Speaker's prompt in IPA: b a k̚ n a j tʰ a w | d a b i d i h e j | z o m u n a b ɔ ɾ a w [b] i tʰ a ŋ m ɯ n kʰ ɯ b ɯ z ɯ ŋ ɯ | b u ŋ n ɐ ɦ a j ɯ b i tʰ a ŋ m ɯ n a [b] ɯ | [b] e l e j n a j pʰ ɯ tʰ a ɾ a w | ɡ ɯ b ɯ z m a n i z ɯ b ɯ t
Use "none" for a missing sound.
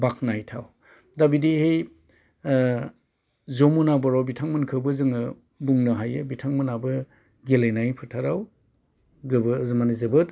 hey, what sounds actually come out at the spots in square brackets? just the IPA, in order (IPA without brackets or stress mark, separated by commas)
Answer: b, b, ɡ